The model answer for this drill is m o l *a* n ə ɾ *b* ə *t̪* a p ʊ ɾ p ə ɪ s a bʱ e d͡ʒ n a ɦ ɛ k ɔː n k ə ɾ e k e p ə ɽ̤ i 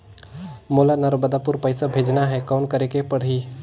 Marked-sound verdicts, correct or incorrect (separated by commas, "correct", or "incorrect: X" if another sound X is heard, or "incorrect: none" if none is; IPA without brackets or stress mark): correct, correct, incorrect: d̪